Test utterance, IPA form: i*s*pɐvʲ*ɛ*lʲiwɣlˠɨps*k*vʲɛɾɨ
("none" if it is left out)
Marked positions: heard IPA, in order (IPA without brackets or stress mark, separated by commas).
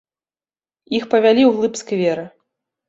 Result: x, a, k